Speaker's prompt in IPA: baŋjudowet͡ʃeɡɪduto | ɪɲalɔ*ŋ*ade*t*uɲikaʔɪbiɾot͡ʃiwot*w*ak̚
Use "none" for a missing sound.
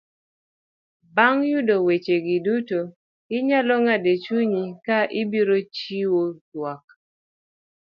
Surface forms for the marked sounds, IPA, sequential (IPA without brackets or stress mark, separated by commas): ŋ, t͡ʃ, w